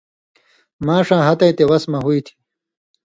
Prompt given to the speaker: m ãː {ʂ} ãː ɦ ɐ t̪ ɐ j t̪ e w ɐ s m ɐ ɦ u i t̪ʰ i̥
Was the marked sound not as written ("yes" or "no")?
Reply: no